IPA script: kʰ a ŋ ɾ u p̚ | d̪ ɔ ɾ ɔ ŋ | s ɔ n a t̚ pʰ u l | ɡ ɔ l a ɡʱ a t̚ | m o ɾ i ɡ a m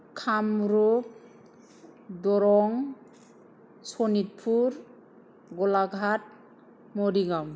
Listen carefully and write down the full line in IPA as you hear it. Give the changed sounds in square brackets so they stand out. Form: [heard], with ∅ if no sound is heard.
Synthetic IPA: kʰ a [m] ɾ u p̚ | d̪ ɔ ɾ ɔ ŋ | s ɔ n [i] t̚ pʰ u [ɾ] | ɡ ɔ l a ɡʱ a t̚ | m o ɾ i ɡ a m